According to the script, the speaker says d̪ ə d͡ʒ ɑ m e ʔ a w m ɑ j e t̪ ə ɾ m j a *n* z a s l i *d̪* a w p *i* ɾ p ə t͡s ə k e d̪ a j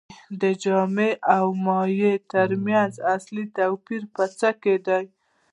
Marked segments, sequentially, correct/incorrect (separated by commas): correct, incorrect, correct